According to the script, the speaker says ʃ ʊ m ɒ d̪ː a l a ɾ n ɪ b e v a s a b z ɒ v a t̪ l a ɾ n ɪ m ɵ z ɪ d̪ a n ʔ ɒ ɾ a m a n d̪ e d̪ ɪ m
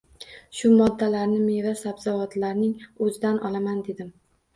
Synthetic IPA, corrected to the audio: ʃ ʊ m ɒ d̪ː a l a ɾ n ɪ m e v a s a b z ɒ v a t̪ l a ɾ n ɪ ŋ ɵ z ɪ d̪ a n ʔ ɒ l a m a n d̪ e d̪ ɪ m